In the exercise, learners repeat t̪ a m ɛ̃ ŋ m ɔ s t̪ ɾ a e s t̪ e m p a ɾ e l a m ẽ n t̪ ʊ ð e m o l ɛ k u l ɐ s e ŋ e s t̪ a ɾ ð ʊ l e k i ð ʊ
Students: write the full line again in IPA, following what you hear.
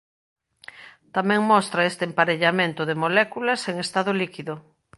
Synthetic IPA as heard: t̪ a m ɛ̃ ŋ m ɔ s t̪ ɾ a e s t̪ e m p a ɾ e ʎ a m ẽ n t̪ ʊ ð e m o l ɛ k u l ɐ s e ŋ e s t̪ a ð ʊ l i k i ð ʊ